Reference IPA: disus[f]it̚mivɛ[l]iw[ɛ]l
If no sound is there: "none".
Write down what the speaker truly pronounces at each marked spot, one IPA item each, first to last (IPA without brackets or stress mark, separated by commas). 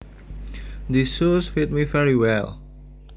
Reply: f, ɹ, ɛ